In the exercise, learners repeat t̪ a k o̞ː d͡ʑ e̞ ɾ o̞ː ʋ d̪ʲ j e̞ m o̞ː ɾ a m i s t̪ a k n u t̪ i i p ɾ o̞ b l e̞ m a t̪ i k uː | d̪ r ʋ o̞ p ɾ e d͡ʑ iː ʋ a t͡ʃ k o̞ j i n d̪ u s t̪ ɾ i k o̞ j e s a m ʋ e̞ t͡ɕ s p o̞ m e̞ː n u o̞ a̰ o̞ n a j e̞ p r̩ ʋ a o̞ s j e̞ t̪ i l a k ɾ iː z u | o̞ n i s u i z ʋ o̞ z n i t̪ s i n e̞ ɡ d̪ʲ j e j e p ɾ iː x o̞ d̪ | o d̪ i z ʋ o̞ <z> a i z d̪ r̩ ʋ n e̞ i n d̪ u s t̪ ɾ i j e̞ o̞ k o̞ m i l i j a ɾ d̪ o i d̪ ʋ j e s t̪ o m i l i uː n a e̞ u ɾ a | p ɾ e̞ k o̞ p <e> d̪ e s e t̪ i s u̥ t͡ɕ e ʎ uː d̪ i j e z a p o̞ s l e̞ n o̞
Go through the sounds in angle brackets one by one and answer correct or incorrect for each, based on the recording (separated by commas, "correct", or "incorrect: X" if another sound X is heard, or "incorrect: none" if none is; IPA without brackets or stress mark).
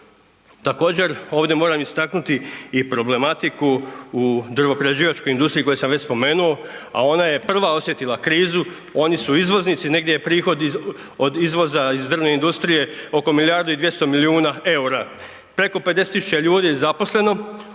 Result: correct, correct